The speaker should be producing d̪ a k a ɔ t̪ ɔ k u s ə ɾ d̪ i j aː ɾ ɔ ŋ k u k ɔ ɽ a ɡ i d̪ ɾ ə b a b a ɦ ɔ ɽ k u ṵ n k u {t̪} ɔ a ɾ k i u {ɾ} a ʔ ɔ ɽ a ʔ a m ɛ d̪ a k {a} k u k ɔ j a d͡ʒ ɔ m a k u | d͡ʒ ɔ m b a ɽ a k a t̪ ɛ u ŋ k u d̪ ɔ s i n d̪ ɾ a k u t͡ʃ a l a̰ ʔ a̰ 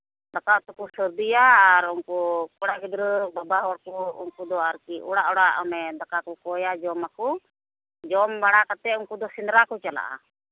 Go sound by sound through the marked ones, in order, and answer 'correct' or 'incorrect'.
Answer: incorrect, incorrect, correct

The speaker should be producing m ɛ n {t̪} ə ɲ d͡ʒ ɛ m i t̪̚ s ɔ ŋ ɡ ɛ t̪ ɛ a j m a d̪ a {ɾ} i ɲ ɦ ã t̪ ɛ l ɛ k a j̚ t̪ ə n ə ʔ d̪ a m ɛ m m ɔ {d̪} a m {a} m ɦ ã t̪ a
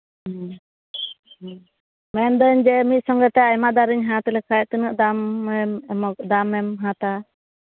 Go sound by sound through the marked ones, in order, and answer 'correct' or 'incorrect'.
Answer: incorrect, correct, correct, incorrect

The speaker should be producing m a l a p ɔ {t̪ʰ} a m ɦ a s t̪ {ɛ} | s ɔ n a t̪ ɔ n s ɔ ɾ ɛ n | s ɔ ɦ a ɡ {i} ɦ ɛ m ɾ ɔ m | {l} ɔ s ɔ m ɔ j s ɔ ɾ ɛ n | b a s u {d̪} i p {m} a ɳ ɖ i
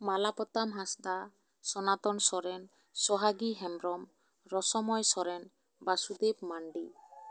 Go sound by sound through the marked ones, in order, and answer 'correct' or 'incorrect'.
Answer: incorrect, incorrect, correct, incorrect, correct, correct

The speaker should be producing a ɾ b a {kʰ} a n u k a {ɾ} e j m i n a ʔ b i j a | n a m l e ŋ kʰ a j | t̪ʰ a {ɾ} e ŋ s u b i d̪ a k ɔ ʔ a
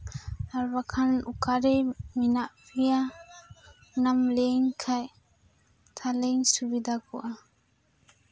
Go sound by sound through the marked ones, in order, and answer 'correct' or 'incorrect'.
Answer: correct, correct, incorrect

